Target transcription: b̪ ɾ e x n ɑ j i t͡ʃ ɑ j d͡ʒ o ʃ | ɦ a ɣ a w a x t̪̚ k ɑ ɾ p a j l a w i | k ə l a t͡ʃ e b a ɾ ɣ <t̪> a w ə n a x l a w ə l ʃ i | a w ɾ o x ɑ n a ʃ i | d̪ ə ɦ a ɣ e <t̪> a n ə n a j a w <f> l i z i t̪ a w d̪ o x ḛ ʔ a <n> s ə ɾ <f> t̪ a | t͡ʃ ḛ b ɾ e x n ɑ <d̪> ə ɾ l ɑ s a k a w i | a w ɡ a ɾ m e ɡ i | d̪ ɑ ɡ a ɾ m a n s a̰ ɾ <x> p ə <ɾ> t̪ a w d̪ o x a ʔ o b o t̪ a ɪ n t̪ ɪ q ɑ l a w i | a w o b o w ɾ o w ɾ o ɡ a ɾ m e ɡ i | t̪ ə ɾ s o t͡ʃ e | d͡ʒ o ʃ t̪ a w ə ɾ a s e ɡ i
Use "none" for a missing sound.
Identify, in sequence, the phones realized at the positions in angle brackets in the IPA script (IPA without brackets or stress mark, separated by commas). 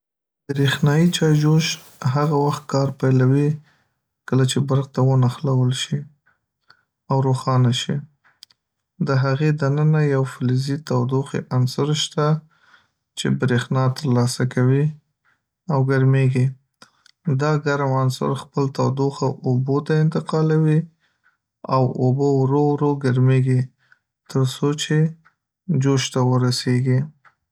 t̪, d̪, f, n, ʃ, t̪, x, l